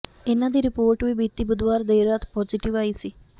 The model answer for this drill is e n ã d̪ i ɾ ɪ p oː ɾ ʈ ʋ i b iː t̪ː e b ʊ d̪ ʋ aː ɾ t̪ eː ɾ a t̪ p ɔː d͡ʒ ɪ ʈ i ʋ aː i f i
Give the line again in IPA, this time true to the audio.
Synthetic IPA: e n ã d̪ i ɾ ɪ p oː ɾ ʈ ʋ i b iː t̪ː i b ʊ d̪ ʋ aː ɾ d̪ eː ɾ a t̪ p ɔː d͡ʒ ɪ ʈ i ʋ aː i s i